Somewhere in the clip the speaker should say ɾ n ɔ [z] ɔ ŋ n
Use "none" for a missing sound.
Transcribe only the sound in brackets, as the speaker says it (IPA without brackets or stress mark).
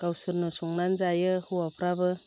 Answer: s